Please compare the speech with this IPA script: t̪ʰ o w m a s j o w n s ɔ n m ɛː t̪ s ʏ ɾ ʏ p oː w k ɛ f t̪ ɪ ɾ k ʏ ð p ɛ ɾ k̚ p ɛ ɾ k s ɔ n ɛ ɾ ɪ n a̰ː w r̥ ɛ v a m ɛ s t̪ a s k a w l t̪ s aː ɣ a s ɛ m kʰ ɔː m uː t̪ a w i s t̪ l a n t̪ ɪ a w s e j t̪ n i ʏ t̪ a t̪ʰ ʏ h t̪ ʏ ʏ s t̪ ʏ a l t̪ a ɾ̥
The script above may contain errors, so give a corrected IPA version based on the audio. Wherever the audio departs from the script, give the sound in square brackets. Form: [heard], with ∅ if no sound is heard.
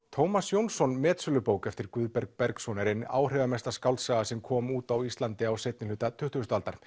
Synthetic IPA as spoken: t̪ʰ o w m a s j o w n s ɔ n m ɛː t̪ s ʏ [l] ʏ p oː w k ɛ f t̪ ɪ ɾ k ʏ ð p ɛ ɾ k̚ p ɛ ɾ k s ɔ n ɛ ɾ ɪ n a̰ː w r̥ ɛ v a m ɛ s t̪ a s k a w l t̪ s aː ɣ a s ɛ m kʰ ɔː m uː t̪ a w i s t̪ l a n t̪ ɪ a w s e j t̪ n [ɪ] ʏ t̪ a t̪ʰ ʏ h t̪ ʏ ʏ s t̪ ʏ a l t̪ a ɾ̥